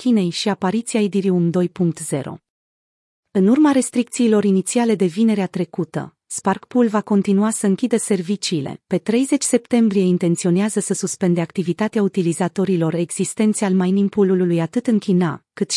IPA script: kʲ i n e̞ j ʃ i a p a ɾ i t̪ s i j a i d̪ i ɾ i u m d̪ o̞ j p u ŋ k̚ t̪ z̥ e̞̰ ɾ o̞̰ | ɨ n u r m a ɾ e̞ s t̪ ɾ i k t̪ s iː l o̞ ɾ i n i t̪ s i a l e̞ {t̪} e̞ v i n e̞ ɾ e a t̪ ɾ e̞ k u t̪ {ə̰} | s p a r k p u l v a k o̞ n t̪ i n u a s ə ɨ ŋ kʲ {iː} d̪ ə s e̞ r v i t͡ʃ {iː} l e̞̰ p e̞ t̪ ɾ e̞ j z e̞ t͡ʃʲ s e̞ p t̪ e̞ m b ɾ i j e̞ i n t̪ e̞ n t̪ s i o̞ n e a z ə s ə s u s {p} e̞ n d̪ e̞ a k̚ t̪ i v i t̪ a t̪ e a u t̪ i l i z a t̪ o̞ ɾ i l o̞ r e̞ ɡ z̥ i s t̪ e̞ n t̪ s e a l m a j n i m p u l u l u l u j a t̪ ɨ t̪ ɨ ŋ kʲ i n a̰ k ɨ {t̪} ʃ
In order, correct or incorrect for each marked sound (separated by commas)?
incorrect, correct, incorrect, correct, correct, correct